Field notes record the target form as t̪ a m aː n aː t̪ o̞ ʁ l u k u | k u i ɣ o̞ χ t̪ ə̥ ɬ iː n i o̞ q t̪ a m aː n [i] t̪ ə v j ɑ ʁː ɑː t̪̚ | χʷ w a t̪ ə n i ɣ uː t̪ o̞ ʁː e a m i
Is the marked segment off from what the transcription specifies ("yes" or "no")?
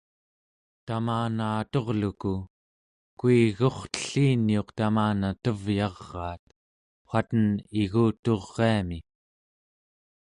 yes